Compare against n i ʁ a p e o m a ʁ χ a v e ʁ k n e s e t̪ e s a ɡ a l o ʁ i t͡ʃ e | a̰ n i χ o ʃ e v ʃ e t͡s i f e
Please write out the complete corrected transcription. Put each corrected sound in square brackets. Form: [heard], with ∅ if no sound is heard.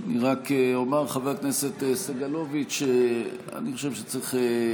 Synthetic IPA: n i ʁ a [k] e o m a ʁ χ a v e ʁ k n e s e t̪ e s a ɡ a l o [v] i t͡ʃ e | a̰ n i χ o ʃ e v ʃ e t͡s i [χ] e